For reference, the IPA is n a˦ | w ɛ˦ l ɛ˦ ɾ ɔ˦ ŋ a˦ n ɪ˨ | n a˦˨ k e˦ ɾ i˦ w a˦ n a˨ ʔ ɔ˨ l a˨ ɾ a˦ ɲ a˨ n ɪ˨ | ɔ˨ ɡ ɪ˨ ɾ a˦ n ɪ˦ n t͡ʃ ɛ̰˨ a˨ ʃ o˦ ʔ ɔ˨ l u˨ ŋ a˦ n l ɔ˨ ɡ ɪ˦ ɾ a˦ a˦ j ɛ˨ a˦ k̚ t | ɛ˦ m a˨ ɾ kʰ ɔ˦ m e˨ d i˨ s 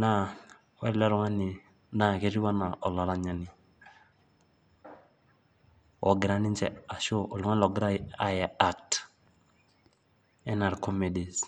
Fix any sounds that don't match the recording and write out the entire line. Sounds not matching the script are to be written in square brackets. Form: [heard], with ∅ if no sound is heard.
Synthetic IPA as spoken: n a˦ | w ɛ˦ l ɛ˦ ɾ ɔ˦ ŋ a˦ n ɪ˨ | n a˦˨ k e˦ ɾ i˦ w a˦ n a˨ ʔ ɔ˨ l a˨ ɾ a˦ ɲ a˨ n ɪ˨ | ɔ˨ ɡ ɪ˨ ɾ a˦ n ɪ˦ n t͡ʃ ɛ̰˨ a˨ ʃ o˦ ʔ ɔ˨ l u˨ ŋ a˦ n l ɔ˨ ɡ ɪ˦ ɾ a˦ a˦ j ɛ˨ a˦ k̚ t | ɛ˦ [n] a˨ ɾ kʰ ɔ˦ m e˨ d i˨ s